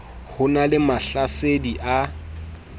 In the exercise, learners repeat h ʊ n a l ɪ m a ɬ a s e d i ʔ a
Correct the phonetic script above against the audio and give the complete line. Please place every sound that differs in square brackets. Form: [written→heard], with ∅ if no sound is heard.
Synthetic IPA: h ʊ n a l ɪ m a ɬ a s e d i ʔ a